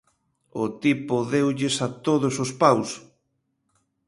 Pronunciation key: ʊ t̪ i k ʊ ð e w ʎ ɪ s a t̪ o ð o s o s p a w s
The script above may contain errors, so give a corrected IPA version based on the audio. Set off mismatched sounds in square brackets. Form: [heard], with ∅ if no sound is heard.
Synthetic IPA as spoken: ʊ t̪ i [p] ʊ ð e w ʎ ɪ s a t̪ o ð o s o s p a w s

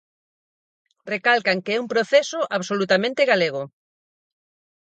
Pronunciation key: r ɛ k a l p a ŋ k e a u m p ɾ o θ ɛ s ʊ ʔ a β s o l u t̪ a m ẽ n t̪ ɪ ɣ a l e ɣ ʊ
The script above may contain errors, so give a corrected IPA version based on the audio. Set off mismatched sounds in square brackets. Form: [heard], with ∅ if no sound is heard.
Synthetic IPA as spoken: r [e] k a l [k] a ŋ k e [ɛ] u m p ɾ o θ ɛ s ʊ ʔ a β s o l u t̪ a m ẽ n t̪ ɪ ɣ a l e ɣ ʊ

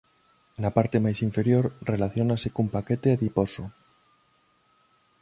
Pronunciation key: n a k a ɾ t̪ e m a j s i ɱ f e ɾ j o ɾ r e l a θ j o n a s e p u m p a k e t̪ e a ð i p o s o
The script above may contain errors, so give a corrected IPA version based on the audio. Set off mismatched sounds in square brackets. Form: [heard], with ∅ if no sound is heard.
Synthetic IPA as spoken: n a [p] a ɾ t̪ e m a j s i ɱ f e ɾ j o ɾ r e l a θ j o n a s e [k] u m p a k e t̪ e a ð i p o s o

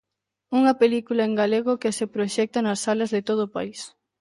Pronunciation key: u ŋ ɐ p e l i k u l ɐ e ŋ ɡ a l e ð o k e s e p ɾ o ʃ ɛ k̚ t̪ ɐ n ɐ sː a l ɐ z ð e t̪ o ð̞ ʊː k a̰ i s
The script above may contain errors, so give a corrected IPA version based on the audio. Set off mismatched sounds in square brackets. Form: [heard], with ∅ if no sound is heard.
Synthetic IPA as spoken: u ŋ ɐ p e l i k u l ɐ e ŋ ɡ a l e [ɣ] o k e s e p ɾ o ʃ ɛ k̚ t̪ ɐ n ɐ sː a l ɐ z ð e t̪ o ð̞ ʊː [p] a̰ i s

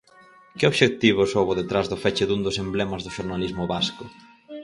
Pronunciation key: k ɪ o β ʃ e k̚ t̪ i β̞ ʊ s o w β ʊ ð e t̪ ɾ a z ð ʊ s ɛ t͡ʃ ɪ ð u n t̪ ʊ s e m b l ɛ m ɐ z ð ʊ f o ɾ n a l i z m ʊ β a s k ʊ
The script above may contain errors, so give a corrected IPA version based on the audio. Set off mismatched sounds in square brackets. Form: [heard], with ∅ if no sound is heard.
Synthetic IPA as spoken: k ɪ o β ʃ e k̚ t̪ i β̞ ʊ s o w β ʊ ð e t̪ ɾ a z ð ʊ [f] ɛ t͡ʃ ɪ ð u n [d̪] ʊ s e m b l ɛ m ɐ z ð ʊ [ʃ] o ɾ n a l i z m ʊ β a s k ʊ

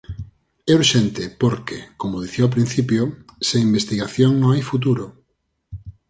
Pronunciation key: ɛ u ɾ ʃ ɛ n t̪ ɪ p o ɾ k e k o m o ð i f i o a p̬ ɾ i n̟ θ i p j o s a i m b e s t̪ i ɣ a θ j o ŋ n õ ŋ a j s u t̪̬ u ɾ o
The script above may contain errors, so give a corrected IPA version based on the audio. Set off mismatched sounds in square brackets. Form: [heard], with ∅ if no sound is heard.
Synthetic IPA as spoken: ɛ u ɾ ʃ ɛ n t̪ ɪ p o ɾ k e k o m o ð i [θ] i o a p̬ ɾ i n̟ θ i p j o s [e] i m b e s t̪ i ɣ a θ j o ŋ n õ ŋ a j [f] u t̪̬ u ɾ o

